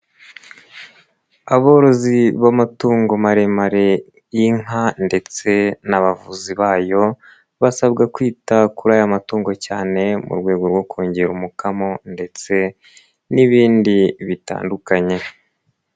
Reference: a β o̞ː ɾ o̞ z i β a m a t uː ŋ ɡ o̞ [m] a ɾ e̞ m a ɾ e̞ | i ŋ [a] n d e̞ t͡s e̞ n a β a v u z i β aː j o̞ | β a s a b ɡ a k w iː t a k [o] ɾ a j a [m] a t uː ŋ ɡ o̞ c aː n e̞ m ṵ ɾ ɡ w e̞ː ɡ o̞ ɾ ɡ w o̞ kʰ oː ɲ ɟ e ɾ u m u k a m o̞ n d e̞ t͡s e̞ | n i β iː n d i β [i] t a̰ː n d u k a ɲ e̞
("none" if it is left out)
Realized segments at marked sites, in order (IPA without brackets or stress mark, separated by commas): m, a, u, m, i